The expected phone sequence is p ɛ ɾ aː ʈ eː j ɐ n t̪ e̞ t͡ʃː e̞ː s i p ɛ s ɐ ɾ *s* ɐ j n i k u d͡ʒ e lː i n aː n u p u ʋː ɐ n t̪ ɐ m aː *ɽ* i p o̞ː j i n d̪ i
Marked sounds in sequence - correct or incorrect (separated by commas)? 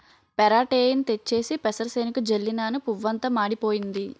correct, correct